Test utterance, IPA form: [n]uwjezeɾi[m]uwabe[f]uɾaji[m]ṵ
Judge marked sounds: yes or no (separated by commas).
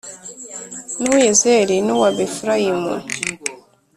yes, no, yes, yes